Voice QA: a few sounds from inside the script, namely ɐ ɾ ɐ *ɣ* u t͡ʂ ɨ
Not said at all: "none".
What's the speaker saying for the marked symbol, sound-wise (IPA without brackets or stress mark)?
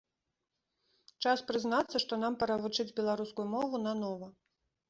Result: v